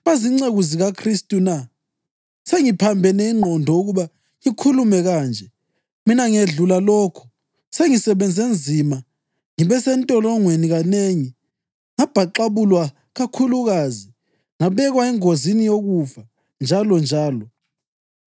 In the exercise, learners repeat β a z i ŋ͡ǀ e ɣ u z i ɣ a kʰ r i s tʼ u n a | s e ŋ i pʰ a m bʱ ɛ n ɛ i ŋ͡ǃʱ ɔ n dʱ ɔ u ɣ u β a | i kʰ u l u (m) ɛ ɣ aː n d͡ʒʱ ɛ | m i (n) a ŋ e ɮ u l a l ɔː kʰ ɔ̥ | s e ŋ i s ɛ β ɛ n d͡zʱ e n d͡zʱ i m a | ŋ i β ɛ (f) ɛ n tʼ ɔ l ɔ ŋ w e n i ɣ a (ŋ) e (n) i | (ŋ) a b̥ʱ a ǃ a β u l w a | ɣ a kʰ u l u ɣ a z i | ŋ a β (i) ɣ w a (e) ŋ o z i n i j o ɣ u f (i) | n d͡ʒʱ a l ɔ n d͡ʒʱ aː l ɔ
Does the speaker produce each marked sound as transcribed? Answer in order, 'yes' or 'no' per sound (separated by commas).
yes, yes, no, no, no, yes, no, no, no